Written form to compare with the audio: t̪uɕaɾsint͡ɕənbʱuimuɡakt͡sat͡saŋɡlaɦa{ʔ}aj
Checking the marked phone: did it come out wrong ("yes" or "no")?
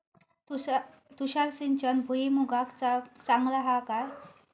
yes